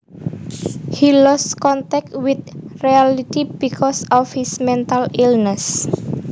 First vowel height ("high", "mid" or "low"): high